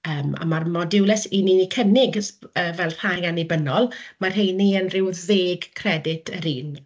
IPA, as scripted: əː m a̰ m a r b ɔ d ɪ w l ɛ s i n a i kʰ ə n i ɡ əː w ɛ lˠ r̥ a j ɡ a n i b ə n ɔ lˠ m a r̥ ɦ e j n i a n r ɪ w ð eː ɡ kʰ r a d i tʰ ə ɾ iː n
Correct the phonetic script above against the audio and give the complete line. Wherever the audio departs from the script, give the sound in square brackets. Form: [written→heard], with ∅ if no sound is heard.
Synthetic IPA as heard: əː m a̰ m a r [b→m] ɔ d ɪ w l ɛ s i n [a→i] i kʰ ə n [i→ɪ] ɡ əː [w→v] ɛ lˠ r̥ a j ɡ a n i b ə n ɔ lˠ m a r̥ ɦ e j n i [a→ə] n r ɪ w ð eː ɡ kʰ r [a→ɛ] d [i→ɪ] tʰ ə ɾ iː n